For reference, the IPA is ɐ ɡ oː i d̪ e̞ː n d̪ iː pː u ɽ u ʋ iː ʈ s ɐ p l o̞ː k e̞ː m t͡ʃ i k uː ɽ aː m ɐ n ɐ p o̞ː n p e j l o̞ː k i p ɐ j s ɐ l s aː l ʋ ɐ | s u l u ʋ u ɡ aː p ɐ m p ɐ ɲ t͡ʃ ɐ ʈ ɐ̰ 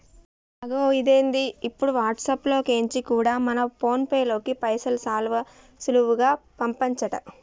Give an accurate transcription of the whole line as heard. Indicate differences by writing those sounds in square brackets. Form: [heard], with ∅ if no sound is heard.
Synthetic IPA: ɐ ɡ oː i d̪ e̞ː n d̪ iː pː u ɽ u ʋ [aː] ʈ s ɐ p l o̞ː k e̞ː [ɲ] t͡ʃ i k uː ɽ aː m ɐ n ɐ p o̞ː n p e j l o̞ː k i p ɐ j s ɐ l s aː l ʋ ɐ | s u l u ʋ u ɡ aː p ɐ m p ɐ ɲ t͡ʃ ɐ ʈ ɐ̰